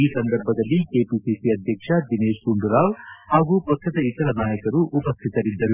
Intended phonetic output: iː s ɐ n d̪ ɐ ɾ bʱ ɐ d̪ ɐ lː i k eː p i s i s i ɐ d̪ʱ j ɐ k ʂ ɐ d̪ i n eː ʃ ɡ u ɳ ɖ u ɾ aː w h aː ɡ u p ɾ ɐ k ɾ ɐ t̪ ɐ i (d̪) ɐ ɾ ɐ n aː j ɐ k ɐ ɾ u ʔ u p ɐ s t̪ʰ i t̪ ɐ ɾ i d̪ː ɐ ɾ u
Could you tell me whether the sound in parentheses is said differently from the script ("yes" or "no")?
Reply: yes